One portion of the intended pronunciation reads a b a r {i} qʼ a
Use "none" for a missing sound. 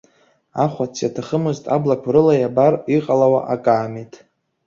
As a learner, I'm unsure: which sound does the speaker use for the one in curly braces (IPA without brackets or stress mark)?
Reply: i